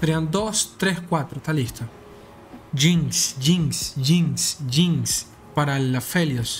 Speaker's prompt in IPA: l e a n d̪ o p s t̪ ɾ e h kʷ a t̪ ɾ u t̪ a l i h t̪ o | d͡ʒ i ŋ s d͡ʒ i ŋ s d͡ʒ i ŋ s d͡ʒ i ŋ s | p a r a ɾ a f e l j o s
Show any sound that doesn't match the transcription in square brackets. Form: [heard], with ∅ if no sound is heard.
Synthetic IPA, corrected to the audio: [ɾ] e a n d̪ o [∅] s t̪ ɾ e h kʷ a t̪ ɾ [o] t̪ a l i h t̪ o | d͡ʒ i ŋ s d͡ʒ i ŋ s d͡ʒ i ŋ s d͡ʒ i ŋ s | p a [ɾ] a [l] a f e l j o s

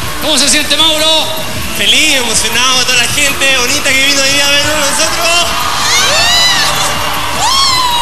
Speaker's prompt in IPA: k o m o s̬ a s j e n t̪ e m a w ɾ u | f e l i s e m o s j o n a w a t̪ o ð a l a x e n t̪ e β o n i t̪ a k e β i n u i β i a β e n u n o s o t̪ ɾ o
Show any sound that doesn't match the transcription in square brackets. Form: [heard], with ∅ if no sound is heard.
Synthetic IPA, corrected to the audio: k o m o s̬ [e] s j e n t̪ e m a w ɾ [o] | f e l i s e m o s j o n a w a t̪ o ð a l a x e n t̪ e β o n i t̪ a k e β i n [o] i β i a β e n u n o s o t̪ ɾ o

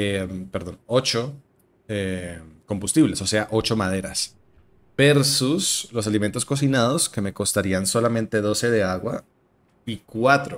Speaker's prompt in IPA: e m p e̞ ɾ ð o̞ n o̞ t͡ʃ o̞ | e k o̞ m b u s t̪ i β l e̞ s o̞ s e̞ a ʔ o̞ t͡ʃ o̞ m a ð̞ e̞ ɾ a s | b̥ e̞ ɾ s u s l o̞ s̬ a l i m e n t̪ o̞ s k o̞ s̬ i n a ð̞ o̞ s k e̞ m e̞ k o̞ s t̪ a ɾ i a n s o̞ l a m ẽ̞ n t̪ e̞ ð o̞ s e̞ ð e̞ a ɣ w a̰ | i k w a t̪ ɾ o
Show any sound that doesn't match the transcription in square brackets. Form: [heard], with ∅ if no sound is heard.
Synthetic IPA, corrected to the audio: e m p e̞ ɾ ð o̞ n o̞ t͡ʃ o̞ | e k o̞ m b u s t̪ i β l e̞ s o̞ s e̞ a ʔ o̞ t͡ʃ o̞ m a ð̞ e̞ ɾ a s | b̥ e̞ ɾ s u s l o̞ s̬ a l i m e n t̪ o̞ s k o̞ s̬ i n a ð̞ o̞ s k e̞ m e̞ k o̞ s t̪ a ɾ i a n s o̞ l a m ẽ̞ n t̪ e̞ ð o̞ s e̞ ð e̞ a ɣ w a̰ | i k w a t̪ ɾ o

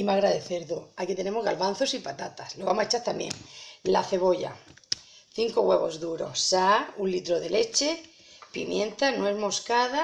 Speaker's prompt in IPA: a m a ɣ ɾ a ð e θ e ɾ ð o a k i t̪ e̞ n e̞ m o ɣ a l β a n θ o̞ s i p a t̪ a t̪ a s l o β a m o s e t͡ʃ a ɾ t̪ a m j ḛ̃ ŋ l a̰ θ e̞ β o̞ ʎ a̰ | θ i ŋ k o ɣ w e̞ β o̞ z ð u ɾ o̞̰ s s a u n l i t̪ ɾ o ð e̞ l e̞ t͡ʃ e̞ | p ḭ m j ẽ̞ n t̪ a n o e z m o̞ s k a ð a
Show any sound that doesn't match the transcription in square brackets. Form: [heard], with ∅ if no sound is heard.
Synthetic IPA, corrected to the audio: [i] m a ɣ ɾ a ð e θ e ɾ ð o a k i t̪ e̞ n e̞ m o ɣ a l β a n θ o̞ s i p a t̪ a t̪ a s l o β a m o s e t͡ʃ a ɾ t̪ a m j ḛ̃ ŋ l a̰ θ e̞ β o̞ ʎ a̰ | θ i ŋ k o ɣ w e̞ β o̞ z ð u ɾ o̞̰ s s a u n l i t̪ ɾ o ð e̞ l e̞ t͡ʃ e̞ | p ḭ m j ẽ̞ n t̪ a n o e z m o̞ s k a ð a

